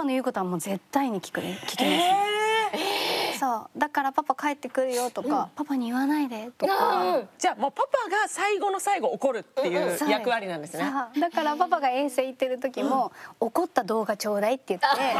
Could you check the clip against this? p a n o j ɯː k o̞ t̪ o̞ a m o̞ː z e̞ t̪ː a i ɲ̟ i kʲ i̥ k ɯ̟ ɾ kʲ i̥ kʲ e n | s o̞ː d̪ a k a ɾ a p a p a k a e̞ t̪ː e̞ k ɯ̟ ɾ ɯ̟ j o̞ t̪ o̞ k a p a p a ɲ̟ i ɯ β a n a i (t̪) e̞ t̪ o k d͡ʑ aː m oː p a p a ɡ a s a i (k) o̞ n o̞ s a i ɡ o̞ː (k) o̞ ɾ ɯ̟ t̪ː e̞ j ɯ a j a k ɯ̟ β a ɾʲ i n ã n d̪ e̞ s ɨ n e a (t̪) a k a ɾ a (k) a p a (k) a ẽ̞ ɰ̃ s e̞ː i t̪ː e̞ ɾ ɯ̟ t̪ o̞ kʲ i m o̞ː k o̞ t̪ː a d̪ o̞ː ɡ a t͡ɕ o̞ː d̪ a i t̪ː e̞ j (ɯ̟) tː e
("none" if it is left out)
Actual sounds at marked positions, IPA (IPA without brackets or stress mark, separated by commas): d̪, ɡ, k, d̪, p, ɡ, ɯ̟